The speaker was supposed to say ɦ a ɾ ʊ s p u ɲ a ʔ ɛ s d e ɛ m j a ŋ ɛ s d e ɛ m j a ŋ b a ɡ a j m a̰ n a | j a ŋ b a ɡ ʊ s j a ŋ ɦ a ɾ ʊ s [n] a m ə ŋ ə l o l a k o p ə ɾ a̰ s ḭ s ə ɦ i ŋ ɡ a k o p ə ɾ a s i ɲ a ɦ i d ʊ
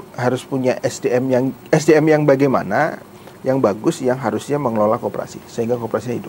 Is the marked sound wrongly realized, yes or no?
yes